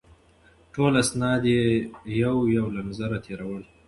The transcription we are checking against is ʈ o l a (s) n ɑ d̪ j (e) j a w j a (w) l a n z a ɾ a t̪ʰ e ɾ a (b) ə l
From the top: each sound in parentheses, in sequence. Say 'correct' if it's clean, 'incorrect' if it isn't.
correct, correct, correct, incorrect

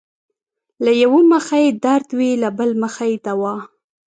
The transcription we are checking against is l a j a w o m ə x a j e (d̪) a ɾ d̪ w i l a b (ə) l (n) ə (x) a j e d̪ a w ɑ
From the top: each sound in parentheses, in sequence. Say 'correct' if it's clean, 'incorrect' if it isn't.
correct, correct, incorrect, correct

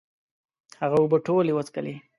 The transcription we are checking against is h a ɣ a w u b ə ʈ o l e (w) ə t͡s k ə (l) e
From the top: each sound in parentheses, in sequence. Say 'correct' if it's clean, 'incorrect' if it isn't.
correct, correct

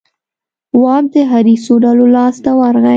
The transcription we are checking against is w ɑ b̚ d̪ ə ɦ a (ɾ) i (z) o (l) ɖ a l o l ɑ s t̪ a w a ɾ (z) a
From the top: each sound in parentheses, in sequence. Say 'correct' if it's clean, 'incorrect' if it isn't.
correct, incorrect, incorrect, incorrect

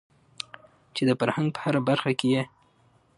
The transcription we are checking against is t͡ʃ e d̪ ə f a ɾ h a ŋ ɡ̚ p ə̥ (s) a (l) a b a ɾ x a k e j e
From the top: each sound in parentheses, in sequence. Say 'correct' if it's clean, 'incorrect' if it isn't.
incorrect, incorrect

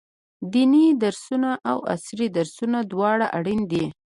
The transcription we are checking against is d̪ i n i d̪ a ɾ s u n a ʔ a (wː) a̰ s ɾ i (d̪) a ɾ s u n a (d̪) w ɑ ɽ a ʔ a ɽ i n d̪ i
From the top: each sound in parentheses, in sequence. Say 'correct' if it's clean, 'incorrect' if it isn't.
incorrect, correct, correct

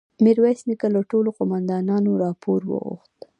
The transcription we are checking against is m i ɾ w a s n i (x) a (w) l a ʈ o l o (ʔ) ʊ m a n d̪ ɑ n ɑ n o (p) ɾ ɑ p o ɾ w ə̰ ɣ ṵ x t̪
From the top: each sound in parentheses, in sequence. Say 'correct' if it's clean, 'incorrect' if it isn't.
incorrect, incorrect, incorrect, incorrect

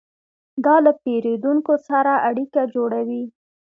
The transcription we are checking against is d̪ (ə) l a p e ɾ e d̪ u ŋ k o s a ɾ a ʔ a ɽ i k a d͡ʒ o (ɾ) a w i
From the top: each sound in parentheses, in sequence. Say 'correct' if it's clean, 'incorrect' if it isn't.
incorrect, incorrect

